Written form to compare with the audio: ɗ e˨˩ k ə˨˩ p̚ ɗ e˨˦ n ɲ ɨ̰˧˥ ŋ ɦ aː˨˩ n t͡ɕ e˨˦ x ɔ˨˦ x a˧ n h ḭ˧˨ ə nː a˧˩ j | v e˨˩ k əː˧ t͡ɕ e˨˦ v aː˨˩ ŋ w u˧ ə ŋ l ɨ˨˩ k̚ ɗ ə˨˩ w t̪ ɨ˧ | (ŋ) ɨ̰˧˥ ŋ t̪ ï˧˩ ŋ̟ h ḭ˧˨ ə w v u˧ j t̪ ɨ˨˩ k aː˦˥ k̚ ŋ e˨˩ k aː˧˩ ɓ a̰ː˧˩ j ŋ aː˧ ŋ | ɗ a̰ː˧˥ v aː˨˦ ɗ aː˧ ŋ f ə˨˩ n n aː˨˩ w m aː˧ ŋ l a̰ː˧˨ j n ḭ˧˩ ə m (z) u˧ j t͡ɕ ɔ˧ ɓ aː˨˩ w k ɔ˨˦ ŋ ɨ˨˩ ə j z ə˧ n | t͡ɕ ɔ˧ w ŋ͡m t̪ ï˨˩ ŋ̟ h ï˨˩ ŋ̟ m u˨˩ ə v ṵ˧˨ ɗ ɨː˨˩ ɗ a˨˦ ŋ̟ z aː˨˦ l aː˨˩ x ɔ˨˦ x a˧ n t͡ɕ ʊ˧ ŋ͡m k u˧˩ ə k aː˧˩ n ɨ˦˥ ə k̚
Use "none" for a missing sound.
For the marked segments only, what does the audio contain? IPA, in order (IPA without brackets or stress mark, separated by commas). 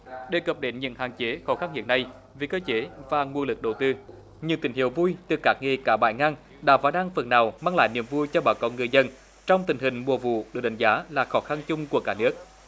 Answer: ɲ, v